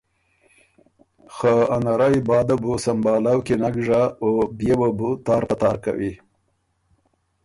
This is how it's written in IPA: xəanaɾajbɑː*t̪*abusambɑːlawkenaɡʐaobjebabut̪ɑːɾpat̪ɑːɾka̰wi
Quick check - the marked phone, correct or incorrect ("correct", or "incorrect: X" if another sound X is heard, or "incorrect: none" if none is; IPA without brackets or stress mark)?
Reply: incorrect: d̪